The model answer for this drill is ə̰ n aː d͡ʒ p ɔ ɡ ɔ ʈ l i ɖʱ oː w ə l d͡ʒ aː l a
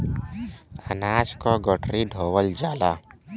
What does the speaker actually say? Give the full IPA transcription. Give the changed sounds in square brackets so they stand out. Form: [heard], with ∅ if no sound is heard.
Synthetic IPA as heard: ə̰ n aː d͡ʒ [k] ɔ ɡ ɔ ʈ [ɾ] i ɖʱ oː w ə l d͡ʒ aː l a